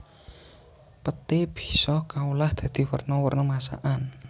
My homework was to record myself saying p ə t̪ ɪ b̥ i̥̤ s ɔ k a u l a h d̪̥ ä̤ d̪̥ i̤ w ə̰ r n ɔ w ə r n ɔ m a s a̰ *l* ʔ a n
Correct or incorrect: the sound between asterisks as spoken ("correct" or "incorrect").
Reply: incorrect